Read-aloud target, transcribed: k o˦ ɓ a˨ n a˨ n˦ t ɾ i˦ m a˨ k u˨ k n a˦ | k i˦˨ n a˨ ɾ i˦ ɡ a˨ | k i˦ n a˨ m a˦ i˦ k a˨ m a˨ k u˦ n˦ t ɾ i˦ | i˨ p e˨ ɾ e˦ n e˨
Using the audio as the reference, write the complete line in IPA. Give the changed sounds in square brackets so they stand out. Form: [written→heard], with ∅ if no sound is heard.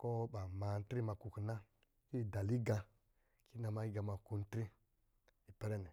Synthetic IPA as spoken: k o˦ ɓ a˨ [n→m] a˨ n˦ t ɾ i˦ m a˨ k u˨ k n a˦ | k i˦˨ [n→d] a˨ [ɾ→l] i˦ ɡ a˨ | k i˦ n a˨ m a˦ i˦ [k→ɡ] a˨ m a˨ k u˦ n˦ t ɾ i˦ | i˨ p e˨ ɾ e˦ n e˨